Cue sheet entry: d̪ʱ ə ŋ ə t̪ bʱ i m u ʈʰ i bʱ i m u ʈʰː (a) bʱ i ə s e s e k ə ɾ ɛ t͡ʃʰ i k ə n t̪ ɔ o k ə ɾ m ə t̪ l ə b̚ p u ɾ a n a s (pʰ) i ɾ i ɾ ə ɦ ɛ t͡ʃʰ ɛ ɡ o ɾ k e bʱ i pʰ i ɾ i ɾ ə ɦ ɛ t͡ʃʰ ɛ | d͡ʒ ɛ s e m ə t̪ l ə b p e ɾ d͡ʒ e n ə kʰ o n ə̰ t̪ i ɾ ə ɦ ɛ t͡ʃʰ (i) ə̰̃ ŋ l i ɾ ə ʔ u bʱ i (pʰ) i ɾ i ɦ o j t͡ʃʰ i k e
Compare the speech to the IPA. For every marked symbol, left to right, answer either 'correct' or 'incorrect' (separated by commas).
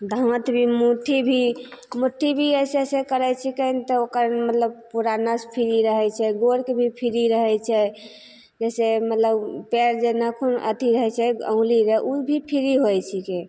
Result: incorrect, correct, incorrect, correct